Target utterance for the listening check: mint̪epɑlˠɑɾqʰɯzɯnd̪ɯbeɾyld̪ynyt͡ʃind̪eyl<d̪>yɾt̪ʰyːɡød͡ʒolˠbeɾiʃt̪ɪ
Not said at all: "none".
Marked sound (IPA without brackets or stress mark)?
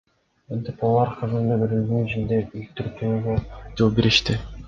t̪